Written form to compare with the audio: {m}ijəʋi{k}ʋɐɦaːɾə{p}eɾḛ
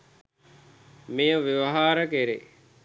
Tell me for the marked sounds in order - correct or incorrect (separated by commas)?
correct, incorrect, incorrect